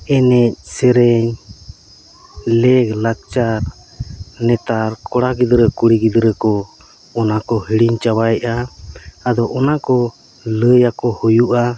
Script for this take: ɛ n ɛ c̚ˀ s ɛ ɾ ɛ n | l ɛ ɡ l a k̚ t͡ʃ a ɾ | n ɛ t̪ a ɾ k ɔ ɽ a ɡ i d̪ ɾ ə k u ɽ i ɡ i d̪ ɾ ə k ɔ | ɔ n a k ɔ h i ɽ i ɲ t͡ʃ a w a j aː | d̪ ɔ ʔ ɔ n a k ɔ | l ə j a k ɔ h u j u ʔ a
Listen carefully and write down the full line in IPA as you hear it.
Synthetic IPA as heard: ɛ n ɛ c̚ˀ s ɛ ɾ ɛ ɲ | l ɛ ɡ l a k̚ t͡ʃ a ɾ | n ɛ t̪ a ɾ k ɔ ɽ a ɡ i d̪ ɾ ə k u ɽ i ɡ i d̪ ɾ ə k ɔ | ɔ n a k ɔ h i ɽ i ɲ t͡ʃ a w a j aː | d̪ ɔ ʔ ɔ n a k ɔ | l ə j a k ɔ h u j u ʔ a